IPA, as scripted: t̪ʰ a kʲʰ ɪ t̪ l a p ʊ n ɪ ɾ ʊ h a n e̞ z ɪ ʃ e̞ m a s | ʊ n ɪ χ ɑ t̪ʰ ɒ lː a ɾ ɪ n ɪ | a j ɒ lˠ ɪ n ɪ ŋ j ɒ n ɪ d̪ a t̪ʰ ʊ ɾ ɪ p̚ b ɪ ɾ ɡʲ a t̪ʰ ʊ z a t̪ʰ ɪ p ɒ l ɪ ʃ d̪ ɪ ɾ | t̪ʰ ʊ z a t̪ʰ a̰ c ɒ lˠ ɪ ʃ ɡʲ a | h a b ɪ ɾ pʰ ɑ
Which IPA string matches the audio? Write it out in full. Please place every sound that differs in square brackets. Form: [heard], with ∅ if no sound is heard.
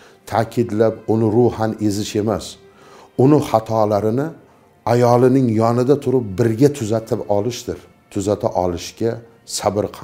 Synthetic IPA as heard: t̪ʰ a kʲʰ ɪ [d̪] l a p ʊ n ɪ ɾ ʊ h a n e̞ z ɪ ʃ e̞ m a s | ʊ n ɪ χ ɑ t̪ʰ ɒ [l] a ɾ ɪ n ɪ | a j ɒ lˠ ɪ n ɪ ŋ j ɒ n ɪ d̪ a t̪ʰ ʊ ɾ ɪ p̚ b ɪ ɾ ɡʲ a t̪ʰ ʊ z a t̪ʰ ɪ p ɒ l ɪ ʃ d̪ ɪ ɾ | t̪ʰ ʊ z a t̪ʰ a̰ [ʔ] ɒ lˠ ɪ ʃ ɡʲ a | [s] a b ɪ ɾ [qʰ] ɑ